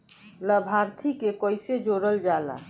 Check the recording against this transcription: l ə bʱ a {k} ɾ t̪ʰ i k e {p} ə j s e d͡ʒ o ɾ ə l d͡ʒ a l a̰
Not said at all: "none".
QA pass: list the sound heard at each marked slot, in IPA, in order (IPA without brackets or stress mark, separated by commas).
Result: none, k